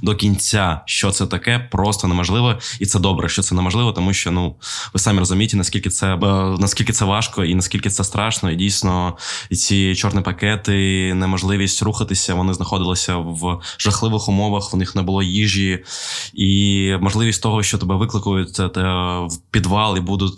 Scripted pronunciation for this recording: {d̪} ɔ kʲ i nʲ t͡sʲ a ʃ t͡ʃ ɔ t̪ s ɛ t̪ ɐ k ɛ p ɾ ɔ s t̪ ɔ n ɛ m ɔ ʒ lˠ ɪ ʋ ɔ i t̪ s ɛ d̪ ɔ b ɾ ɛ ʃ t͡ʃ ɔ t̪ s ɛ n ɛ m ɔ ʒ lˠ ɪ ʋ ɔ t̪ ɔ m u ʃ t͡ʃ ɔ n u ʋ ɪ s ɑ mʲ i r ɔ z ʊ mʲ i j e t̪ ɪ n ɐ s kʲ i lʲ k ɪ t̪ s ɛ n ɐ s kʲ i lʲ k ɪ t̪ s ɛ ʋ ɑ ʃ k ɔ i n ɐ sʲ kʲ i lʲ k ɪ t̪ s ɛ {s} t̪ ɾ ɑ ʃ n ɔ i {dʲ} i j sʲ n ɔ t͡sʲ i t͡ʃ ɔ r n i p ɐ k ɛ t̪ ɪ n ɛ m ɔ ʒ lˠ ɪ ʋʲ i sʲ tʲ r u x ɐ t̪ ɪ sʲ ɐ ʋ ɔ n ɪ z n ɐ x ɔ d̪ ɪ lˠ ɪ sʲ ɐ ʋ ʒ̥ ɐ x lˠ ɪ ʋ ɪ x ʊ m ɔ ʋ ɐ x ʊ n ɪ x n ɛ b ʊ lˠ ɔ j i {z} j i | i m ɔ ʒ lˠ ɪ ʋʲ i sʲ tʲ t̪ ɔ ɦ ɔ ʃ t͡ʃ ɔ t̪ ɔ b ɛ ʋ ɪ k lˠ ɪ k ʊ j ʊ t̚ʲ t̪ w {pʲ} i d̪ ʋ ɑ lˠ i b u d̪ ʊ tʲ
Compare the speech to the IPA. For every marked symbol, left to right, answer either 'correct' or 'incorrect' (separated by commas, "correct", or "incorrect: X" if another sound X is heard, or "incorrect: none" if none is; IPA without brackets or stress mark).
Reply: correct, correct, correct, incorrect: ʒ, correct